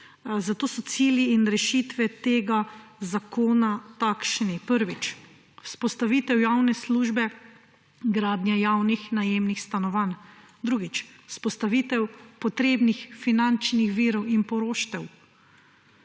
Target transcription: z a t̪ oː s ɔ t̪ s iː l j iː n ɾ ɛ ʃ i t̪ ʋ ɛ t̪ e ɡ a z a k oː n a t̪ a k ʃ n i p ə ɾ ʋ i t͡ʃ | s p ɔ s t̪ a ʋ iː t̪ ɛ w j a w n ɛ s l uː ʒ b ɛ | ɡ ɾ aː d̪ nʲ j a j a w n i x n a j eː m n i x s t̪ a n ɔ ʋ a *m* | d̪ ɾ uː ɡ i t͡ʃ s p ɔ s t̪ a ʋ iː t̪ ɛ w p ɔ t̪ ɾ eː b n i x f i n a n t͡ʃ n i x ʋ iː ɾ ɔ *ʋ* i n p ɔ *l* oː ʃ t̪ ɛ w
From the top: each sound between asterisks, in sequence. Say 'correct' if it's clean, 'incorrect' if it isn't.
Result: incorrect: n, incorrect: w, incorrect: ɾ

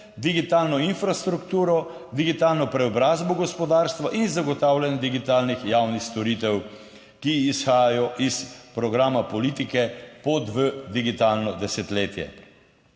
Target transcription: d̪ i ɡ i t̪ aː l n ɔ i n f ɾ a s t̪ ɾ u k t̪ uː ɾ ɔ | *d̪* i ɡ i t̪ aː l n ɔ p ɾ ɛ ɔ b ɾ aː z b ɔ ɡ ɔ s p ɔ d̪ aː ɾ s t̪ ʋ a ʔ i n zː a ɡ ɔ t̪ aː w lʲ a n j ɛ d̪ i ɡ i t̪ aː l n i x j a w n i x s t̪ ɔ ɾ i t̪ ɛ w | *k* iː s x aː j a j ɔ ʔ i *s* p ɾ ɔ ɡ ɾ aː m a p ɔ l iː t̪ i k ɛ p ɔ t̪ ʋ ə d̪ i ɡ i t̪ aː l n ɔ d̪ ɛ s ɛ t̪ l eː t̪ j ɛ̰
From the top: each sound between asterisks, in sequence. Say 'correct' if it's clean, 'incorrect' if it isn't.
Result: correct, correct, correct

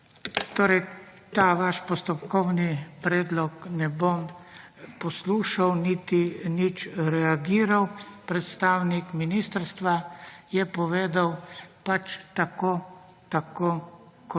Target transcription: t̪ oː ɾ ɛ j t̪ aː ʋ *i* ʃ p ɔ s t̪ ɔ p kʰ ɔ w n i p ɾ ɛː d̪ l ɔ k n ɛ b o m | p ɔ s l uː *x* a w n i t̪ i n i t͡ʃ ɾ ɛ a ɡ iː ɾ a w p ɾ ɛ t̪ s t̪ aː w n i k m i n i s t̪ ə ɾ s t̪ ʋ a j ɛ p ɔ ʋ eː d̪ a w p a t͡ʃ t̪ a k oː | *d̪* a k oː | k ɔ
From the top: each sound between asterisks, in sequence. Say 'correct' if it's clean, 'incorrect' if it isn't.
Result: incorrect: a, incorrect: ʃ, incorrect: t̪

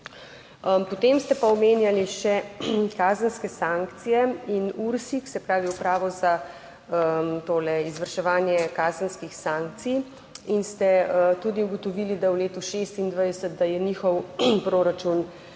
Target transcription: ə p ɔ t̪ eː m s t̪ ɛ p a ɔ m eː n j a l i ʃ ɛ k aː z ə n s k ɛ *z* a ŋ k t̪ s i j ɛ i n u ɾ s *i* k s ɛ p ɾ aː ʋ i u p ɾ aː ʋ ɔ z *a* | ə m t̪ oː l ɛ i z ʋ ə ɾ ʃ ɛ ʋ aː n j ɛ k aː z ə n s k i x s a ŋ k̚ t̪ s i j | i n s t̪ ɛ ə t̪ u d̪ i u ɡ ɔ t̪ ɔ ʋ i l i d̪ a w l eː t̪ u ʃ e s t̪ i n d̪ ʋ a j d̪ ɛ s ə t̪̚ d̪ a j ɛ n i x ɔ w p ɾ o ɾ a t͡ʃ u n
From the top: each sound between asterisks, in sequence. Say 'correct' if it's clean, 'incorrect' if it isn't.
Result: incorrect: s, correct, correct

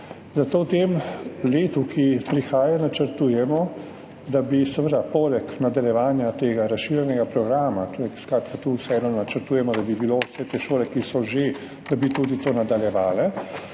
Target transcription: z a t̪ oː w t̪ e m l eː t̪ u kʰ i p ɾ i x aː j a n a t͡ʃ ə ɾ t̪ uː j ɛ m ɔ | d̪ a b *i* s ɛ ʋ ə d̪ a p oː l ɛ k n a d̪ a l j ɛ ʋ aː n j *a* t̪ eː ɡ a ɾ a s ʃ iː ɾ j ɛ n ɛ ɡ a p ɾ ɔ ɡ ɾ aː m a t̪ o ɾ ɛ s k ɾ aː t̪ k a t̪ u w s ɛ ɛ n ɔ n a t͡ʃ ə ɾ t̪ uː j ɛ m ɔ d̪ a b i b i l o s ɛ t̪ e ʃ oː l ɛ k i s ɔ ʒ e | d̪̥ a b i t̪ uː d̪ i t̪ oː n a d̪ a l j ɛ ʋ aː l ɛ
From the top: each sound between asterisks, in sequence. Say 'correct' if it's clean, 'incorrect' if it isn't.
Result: correct, correct

